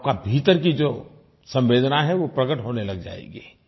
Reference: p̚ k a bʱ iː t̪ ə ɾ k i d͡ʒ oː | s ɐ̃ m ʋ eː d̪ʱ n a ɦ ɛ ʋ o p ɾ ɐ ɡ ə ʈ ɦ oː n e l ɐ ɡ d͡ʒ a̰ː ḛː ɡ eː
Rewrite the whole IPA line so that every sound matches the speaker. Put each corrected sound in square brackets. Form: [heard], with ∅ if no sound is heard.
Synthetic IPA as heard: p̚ k a bʱ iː t̪ ə ɾ k i d͡ʒ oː | s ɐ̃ m ʋ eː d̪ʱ n a ɦ ɛ ʋ o p ɾ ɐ ɡ ə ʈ ɦ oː n e l ɐ ɡ d͡ʒ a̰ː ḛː ɡ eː